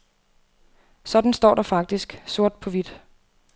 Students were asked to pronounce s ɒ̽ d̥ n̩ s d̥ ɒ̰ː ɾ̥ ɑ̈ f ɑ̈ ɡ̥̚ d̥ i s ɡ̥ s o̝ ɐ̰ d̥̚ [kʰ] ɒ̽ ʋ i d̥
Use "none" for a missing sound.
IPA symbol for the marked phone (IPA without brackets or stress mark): pʰ